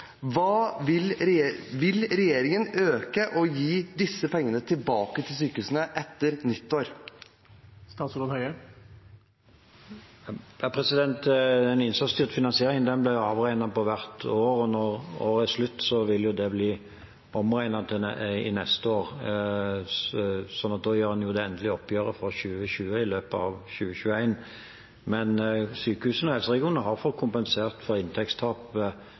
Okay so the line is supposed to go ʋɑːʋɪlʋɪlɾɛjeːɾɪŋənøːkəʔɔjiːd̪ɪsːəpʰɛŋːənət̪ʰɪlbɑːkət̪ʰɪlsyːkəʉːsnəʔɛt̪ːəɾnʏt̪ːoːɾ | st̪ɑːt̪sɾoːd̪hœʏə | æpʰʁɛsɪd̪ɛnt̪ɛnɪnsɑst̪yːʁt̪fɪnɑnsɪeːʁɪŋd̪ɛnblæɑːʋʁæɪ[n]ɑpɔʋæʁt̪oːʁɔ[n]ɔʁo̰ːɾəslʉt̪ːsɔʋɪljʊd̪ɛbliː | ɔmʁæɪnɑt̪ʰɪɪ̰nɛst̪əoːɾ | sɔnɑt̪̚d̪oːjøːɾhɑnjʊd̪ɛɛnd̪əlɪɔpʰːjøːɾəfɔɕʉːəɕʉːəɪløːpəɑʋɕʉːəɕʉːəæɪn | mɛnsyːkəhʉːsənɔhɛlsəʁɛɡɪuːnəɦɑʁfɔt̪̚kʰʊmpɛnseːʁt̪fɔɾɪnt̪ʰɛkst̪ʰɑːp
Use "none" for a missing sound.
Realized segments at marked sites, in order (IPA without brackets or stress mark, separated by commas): n, n